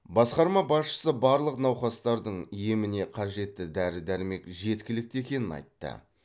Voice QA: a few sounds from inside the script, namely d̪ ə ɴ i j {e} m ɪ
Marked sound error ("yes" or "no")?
no